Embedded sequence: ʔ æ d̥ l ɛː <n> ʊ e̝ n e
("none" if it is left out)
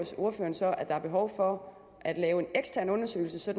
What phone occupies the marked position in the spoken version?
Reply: none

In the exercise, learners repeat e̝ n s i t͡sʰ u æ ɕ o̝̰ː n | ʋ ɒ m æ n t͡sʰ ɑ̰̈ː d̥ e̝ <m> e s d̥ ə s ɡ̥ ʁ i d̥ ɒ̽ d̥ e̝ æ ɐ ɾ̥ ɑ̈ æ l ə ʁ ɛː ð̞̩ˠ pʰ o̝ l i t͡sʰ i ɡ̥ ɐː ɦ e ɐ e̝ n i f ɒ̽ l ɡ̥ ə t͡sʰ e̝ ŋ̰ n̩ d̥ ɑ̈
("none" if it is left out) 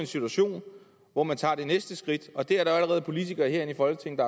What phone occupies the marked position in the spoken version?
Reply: n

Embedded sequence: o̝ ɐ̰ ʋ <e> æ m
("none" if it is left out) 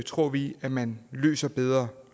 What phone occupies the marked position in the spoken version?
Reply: i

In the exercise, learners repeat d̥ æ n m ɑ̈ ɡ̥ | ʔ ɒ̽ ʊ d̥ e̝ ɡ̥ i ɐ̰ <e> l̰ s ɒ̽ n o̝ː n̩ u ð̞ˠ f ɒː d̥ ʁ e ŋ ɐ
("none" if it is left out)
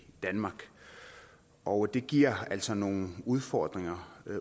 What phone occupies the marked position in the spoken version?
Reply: æ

